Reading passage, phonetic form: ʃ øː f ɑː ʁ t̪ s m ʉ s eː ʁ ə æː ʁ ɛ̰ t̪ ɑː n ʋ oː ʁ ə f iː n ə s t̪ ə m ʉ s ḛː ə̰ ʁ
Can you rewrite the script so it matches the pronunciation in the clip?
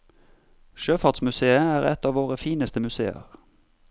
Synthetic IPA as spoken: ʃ øː f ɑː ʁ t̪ s m ʉ s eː ə æː ʁ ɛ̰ t̪ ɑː ʋ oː ʁ ə f iː n ə s t̪ ə m ʉ s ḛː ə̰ ʁ